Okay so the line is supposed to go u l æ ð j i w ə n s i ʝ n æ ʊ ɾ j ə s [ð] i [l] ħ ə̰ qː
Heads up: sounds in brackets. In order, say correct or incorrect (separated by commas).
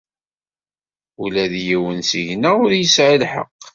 incorrect, correct